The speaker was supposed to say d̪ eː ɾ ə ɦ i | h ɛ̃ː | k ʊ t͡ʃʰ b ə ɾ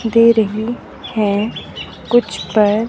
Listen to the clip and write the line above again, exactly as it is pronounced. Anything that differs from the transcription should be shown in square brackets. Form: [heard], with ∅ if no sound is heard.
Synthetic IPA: d̪ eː ɾ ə ɦ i | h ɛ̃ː | k ʊ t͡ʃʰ [p] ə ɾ